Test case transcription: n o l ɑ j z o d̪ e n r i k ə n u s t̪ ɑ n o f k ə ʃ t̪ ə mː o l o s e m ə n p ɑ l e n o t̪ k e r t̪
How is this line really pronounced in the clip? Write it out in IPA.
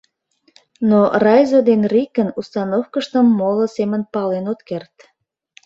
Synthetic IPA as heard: n o r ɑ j z o d̪ e n r i k ə n u s t̪ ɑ n o f k ə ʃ t̪ ə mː o l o s e m ə n p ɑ l e n o t̪ k e r t̪